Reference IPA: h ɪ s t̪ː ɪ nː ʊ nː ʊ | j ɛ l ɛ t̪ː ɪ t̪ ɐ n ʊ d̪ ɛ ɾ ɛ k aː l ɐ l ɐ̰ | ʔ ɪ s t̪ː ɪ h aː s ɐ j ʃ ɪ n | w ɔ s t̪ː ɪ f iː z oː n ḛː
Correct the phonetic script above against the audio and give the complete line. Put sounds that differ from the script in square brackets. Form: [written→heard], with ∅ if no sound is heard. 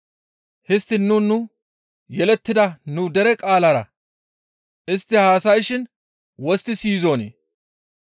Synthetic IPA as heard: h ɪ s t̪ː ɪ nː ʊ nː ʊ | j ɛ l ɛ t̪ː ɪ [t̪→d̪] ɐ n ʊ d̪ ɛ ɾ ɛ [k→kʼ] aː l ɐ [l→ɾ] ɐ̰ | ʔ ɪ s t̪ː ɪ h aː s ɐ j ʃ ɪ n | w ɔ s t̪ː ɪ [f→s] iː z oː n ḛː